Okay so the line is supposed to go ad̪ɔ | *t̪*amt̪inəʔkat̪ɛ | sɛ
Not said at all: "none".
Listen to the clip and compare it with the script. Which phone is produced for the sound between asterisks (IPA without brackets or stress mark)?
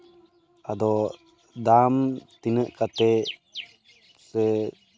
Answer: d̪